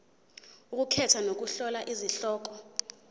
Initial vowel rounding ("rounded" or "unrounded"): rounded